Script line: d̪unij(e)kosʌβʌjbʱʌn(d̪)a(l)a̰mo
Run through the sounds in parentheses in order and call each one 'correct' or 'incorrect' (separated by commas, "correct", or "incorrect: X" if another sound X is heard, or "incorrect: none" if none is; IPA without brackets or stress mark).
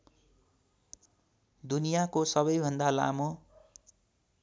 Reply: incorrect: a, correct, correct